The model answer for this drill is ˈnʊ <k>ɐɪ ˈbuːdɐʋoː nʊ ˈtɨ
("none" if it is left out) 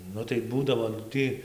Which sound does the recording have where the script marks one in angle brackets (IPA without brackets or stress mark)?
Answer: t